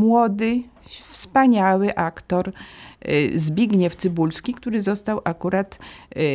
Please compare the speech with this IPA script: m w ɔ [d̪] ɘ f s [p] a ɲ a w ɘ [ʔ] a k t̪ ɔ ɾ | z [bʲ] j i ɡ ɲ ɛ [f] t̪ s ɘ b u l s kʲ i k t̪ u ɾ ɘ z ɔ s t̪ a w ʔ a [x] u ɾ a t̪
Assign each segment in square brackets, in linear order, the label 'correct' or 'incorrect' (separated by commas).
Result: correct, correct, correct, correct, correct, incorrect